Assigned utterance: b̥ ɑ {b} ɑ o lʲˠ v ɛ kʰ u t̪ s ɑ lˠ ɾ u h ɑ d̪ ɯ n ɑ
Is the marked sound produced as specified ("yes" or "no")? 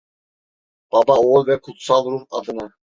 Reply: yes